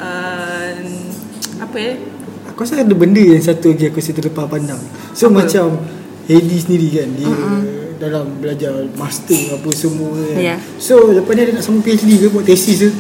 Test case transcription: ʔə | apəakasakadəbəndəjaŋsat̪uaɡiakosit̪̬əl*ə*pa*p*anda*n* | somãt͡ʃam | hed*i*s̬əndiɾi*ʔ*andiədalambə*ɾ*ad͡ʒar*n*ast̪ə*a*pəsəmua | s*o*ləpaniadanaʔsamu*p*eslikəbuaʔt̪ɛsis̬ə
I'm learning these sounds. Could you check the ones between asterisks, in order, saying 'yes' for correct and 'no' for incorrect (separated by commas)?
yes, yes, no, yes, no, no, no, yes, yes, yes